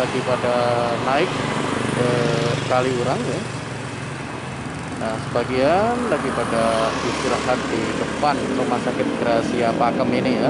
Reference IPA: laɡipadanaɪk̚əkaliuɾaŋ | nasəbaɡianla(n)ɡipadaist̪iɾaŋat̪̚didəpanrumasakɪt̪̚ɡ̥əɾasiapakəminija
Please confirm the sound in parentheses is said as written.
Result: no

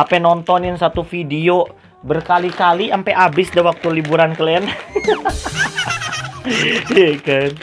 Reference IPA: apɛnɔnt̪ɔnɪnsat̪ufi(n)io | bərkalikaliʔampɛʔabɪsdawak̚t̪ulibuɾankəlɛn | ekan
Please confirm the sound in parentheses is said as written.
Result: no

